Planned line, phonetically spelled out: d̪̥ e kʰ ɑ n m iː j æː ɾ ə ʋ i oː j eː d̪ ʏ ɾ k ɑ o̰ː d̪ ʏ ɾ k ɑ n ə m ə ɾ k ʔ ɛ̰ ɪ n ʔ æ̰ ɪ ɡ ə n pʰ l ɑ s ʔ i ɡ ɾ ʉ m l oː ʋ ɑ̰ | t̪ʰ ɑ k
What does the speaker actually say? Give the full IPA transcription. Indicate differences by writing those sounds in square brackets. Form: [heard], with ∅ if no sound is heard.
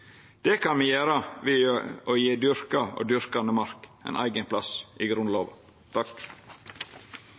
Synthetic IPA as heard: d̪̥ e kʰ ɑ n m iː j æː ɾ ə ʋ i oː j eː d̪ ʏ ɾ k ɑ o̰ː d̪ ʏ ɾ k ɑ n ə m [ɑ] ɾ k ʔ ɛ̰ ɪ n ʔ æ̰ ɪ ɡ ə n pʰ l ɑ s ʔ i ɡ ɾ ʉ [n] l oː ʋ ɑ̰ | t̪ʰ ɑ k